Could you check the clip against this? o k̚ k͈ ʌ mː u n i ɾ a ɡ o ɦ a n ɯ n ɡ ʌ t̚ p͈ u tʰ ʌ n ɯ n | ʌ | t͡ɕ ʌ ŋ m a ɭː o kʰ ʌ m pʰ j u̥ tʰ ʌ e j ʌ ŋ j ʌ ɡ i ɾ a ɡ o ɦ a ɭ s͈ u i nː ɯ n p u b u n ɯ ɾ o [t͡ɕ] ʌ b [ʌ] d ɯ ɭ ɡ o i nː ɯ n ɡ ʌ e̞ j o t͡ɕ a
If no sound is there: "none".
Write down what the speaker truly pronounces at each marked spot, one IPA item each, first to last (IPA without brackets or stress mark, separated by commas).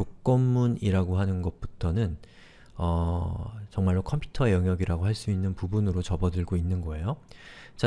t͡ɕ, ʌ